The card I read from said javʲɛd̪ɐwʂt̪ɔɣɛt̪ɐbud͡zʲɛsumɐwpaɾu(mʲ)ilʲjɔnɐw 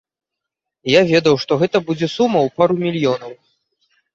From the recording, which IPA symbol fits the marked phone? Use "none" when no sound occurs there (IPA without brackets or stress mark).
mʲ